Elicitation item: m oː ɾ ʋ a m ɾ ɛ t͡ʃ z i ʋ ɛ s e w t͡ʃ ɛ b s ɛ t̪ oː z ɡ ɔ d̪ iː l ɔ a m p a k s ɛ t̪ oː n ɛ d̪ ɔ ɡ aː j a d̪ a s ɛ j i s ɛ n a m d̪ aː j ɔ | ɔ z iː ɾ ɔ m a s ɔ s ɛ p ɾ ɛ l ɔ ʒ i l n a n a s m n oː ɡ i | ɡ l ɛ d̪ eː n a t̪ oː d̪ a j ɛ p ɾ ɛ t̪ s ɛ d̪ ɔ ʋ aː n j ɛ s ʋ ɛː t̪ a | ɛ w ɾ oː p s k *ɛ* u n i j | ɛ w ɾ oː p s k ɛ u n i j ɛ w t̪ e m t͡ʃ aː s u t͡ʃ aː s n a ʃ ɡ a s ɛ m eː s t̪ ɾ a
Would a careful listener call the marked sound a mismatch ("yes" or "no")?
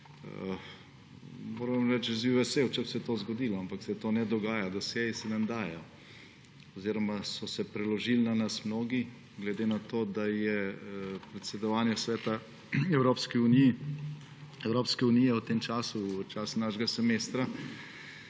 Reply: yes